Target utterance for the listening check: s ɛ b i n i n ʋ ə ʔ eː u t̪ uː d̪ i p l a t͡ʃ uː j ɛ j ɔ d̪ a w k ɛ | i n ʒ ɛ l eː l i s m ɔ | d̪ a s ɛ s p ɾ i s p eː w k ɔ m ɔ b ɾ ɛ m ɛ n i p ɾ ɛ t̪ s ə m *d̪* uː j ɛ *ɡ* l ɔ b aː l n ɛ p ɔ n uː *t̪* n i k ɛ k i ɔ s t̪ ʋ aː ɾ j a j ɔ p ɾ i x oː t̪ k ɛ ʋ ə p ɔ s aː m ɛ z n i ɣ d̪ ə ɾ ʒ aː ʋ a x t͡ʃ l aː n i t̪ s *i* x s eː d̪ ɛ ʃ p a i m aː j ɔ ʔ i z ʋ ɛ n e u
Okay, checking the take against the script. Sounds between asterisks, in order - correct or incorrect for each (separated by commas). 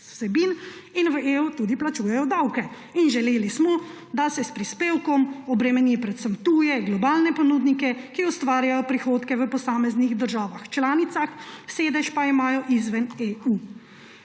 incorrect, correct, incorrect, incorrect